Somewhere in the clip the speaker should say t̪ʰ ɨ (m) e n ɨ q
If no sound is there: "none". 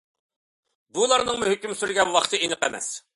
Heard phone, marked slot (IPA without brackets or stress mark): none